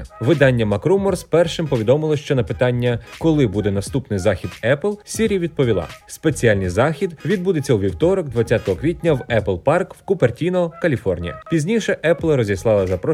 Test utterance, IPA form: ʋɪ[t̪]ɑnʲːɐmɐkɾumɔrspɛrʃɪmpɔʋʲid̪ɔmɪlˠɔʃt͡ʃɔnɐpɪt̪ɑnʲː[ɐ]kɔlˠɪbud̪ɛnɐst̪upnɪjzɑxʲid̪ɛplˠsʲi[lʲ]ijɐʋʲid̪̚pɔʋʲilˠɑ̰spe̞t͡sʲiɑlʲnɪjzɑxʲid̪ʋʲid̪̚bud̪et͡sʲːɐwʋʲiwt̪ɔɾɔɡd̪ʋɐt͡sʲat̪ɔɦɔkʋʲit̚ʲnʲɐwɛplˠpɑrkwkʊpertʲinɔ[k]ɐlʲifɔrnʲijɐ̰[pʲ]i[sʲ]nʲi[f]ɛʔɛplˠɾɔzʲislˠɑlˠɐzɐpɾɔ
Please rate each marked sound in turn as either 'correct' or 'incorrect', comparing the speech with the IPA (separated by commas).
incorrect, correct, incorrect, correct, correct, incorrect, incorrect